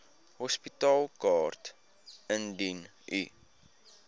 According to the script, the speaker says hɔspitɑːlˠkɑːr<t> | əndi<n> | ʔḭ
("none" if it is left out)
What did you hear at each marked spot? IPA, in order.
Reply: t, n

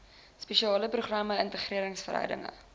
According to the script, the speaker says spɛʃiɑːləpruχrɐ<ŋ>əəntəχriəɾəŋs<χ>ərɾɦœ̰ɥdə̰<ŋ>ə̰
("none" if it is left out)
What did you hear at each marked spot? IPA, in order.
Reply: m, f, ŋ

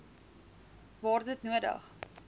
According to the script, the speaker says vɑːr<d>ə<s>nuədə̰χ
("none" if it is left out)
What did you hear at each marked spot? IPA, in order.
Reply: d, t

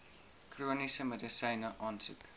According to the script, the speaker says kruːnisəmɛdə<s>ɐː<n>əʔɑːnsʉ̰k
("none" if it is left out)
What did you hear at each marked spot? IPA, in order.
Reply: s, n

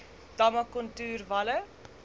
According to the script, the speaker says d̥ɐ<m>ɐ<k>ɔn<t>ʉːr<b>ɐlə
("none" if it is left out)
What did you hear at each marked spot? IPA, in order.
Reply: m, k, t, v

